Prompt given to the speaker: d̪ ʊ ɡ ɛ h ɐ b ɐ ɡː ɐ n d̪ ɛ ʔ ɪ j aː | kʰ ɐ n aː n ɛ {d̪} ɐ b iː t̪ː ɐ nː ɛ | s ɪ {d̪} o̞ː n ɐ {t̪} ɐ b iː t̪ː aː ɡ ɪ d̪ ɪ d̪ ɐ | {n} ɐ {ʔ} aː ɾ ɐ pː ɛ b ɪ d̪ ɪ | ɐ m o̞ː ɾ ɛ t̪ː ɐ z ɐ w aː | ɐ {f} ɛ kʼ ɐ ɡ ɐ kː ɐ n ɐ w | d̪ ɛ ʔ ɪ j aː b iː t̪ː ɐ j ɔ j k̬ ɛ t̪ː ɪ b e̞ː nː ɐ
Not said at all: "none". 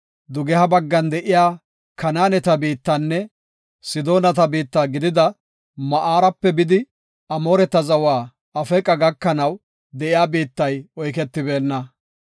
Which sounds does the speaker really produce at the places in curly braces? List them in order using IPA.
t̪, d̪, t̪, m, ʔ, f

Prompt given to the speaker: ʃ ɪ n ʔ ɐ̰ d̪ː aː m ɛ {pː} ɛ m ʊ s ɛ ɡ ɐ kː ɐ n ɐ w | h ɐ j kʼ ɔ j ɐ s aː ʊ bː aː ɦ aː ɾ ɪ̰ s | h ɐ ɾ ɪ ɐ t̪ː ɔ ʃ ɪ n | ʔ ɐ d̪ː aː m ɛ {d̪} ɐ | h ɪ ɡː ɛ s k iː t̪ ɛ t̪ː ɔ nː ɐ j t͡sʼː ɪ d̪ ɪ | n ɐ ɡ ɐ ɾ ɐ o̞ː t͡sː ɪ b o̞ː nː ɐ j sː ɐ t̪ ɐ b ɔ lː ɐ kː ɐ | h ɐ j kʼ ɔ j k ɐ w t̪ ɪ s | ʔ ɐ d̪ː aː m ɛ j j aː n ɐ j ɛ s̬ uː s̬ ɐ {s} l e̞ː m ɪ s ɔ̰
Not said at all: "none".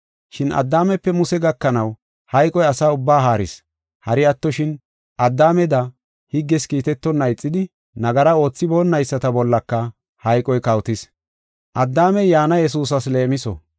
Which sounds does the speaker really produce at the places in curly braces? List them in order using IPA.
pː, d̪, s

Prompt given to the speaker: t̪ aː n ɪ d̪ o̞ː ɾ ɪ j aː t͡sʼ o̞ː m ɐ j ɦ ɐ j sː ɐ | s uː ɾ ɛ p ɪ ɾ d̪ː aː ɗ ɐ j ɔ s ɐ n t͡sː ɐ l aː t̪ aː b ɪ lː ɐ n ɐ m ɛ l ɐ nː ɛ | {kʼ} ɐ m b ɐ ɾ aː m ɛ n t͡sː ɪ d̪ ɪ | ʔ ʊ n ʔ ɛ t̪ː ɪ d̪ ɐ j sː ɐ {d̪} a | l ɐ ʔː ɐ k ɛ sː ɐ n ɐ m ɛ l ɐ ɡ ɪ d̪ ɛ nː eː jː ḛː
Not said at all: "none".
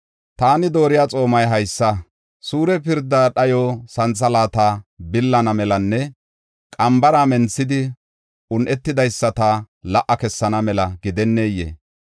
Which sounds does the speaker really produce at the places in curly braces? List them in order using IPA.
kʼ, t̪

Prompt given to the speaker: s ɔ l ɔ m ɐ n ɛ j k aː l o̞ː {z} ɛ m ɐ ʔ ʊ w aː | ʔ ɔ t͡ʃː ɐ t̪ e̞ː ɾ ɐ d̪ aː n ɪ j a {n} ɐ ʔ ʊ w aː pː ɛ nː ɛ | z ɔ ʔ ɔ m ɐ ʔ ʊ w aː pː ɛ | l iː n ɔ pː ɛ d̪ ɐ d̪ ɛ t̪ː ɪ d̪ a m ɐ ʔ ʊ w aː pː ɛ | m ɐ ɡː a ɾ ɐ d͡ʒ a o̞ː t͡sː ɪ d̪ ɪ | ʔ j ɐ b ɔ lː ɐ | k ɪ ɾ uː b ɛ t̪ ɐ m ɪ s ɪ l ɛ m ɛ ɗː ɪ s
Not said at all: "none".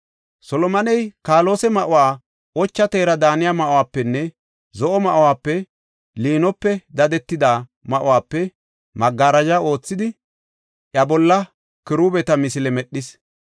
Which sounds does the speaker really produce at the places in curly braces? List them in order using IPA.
s, m

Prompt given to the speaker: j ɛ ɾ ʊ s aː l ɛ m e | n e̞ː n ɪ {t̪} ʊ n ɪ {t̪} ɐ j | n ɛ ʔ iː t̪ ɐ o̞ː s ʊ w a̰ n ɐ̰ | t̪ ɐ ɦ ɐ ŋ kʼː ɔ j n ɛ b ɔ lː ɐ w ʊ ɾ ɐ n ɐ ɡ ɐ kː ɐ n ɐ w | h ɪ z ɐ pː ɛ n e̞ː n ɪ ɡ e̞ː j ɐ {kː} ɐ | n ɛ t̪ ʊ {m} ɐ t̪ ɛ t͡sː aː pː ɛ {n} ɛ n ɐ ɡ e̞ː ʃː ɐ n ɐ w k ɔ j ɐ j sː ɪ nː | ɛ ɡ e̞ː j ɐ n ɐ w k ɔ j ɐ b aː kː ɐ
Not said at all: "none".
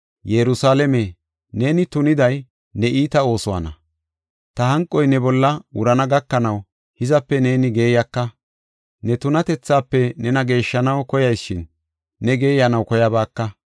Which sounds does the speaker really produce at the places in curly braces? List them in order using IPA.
t̪, d̪, kː, n, n

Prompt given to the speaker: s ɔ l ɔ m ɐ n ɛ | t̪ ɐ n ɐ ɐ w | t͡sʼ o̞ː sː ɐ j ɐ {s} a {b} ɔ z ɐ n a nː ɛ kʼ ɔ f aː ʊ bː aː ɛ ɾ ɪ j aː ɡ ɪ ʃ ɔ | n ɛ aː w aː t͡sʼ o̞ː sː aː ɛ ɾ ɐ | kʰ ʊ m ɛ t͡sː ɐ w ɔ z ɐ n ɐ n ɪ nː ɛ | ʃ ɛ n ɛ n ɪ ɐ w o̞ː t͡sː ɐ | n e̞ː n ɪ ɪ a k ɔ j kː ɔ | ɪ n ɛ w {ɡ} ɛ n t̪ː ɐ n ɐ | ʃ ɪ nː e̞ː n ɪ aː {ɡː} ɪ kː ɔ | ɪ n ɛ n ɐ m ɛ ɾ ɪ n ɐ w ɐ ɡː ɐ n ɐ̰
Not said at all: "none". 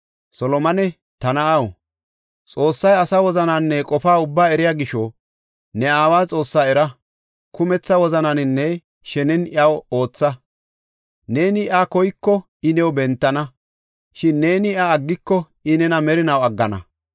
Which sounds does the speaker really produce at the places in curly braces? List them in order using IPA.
s, w, b, ɡː

